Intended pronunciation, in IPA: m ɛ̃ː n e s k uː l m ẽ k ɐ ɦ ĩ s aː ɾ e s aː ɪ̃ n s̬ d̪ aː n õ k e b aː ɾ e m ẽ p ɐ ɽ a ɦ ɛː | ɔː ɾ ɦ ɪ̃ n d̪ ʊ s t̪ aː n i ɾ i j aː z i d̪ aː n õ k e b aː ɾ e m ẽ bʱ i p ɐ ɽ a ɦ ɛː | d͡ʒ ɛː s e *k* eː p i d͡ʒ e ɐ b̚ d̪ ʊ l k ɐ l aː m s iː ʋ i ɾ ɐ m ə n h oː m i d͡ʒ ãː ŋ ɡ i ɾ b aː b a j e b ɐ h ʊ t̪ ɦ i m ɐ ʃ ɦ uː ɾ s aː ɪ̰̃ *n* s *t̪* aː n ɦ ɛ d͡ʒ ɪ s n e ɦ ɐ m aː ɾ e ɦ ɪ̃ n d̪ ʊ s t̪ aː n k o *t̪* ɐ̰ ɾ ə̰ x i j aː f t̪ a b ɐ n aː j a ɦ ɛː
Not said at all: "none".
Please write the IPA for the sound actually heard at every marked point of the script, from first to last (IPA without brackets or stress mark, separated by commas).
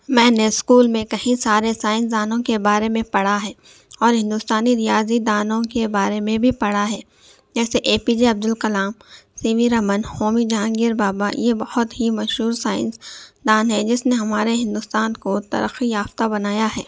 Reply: ʔ, n, d̪, t̪